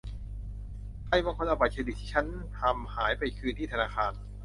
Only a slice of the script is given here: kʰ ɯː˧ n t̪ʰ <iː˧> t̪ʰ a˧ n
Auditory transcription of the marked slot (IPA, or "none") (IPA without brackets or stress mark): iː˥˩